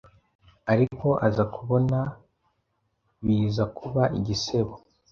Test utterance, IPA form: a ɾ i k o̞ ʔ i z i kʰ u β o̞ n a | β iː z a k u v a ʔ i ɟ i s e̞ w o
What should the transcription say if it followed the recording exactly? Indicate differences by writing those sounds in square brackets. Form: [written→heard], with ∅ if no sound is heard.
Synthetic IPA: a ɾ i k o̞ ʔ [i→a] z [i→a] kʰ u β o̞ n a | β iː z a k u [v→β] a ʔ i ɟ i s e̞ [w→β] o